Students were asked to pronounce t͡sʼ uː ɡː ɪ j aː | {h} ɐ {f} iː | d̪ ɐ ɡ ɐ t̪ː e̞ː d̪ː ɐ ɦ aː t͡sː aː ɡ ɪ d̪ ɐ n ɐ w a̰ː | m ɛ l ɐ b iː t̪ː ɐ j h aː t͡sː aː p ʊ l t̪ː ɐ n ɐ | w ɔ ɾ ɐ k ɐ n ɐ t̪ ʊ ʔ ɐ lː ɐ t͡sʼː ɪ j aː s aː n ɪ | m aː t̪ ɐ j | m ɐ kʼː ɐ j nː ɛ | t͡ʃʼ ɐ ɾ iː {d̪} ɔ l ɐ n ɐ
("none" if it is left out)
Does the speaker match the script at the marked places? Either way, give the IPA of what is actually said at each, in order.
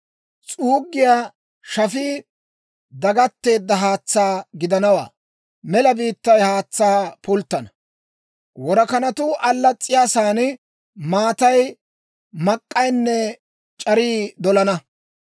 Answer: ʃ, f, d̪

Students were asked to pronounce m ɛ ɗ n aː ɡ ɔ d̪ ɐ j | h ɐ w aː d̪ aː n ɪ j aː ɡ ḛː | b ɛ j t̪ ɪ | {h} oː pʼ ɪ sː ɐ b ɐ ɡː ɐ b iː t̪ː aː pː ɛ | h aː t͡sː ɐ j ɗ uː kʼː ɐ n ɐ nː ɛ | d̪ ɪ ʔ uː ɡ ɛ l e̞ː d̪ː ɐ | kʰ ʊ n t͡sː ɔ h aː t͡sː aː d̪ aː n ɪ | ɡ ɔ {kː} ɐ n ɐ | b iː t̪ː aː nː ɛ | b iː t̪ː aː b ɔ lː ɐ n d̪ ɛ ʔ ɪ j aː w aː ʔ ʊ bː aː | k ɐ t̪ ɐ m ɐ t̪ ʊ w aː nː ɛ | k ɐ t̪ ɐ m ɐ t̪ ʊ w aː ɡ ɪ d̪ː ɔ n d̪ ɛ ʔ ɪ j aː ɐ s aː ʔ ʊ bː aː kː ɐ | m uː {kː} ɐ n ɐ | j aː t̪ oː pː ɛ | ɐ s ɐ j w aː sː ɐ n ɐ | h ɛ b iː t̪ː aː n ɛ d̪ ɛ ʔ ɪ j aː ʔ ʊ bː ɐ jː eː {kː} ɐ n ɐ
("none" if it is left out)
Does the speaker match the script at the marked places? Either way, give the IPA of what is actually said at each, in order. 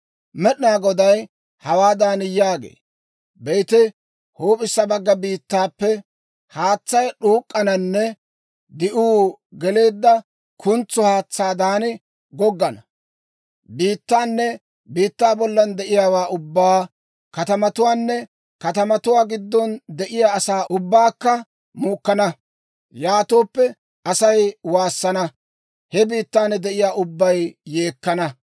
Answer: h, ɡː, kː, kː

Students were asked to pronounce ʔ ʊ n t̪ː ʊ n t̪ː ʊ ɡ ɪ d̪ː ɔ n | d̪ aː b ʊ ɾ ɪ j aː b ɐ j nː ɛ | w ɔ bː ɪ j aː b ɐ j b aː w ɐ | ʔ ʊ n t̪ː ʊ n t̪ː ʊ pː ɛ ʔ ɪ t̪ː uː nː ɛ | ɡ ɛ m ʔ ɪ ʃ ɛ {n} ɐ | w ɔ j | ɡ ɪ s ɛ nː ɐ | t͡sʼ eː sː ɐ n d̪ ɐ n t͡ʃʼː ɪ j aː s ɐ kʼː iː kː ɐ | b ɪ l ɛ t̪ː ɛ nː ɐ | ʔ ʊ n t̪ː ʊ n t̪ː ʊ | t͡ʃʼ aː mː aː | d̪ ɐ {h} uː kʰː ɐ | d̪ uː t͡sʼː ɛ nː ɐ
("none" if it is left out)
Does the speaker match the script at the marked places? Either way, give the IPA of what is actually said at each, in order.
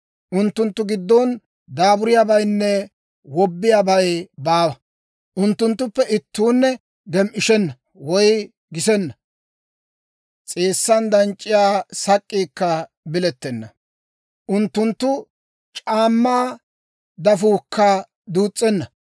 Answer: nː, f

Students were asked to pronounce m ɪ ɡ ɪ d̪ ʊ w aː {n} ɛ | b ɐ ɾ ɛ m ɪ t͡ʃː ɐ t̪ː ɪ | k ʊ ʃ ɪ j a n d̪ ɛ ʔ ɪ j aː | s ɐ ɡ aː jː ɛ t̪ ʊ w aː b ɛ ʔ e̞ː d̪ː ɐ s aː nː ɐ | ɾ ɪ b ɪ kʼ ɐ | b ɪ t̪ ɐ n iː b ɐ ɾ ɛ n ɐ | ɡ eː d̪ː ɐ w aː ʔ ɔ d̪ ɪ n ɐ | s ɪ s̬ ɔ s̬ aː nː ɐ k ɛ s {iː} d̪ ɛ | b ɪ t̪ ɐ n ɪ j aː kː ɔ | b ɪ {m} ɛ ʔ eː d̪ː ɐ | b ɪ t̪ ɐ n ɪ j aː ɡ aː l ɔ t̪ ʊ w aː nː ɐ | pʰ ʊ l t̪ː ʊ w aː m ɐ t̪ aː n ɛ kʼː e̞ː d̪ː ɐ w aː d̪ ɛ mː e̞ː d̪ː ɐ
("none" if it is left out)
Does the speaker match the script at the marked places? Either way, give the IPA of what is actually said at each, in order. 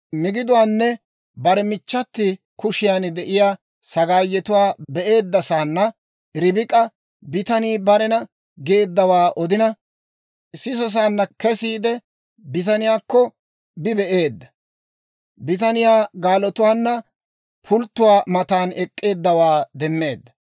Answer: nː, iː, b

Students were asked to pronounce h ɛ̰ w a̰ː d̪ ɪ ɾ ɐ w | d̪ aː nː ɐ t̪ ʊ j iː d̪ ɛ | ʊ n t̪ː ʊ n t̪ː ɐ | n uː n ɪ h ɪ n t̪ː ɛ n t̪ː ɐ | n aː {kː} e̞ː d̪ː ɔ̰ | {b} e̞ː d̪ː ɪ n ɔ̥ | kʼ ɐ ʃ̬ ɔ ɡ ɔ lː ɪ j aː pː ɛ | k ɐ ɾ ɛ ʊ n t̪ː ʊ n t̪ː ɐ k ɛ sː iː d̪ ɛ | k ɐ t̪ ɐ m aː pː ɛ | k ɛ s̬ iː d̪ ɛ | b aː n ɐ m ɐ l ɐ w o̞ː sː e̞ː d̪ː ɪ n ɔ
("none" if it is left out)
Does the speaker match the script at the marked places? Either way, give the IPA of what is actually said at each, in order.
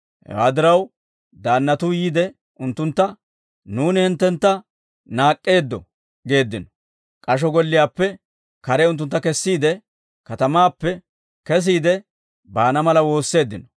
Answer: kʼː, ɡ

